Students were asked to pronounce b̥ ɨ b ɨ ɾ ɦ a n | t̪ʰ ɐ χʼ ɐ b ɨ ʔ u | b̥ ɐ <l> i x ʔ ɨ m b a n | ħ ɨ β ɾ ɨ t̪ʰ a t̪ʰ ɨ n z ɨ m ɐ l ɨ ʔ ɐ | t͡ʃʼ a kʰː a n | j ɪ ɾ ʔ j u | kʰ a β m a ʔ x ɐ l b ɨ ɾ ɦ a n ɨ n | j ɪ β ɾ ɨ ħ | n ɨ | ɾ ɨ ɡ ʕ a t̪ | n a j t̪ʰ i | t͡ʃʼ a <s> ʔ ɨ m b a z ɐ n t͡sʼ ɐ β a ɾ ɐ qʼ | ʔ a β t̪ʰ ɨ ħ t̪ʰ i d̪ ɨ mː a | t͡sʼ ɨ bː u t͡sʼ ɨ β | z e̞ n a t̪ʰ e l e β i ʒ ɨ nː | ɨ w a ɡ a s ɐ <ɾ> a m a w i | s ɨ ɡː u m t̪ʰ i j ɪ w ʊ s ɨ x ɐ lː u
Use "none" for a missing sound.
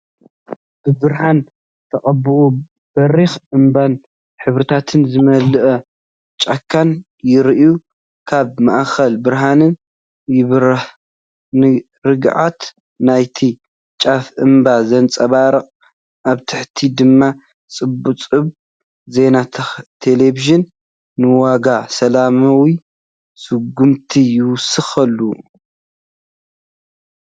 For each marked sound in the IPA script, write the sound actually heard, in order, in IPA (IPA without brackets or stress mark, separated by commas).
ɾ, f, l